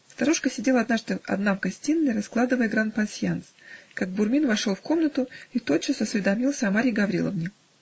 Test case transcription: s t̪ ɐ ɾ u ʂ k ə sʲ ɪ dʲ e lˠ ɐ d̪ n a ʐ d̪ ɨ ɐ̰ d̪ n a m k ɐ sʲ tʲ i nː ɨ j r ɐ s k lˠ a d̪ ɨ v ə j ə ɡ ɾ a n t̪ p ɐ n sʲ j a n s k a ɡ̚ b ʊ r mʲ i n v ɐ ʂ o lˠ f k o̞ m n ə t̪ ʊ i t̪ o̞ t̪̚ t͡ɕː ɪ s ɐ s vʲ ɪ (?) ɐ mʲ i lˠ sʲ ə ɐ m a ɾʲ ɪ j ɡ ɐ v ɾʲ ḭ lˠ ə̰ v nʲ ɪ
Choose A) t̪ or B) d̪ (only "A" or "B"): B